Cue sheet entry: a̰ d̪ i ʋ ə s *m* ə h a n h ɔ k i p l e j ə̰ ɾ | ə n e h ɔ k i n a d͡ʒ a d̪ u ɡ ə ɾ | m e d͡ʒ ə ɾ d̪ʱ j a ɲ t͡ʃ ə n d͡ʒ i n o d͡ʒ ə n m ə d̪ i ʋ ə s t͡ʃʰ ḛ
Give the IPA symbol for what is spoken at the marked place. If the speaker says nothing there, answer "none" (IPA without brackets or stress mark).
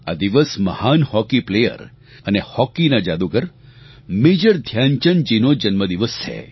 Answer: m